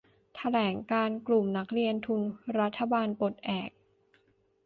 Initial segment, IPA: t̪ʰ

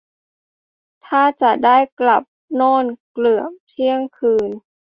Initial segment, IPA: t̪ʰ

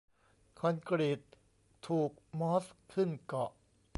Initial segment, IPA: kʰ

